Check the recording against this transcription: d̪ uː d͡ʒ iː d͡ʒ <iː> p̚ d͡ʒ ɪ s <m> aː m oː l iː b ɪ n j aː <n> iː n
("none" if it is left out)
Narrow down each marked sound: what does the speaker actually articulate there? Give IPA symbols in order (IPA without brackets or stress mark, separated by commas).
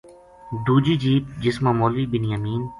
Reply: iː, m, m